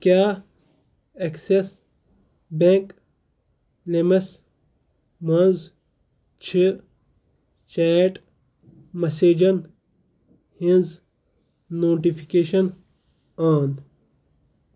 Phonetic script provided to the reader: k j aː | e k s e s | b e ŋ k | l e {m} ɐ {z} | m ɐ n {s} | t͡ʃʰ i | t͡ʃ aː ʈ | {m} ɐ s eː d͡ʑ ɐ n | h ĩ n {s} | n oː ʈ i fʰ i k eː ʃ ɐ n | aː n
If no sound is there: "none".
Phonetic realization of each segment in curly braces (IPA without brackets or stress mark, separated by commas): m, s, z, m, z